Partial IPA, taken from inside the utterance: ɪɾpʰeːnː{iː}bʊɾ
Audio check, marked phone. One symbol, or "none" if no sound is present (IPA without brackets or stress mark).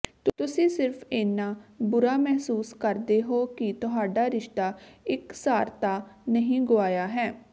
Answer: aː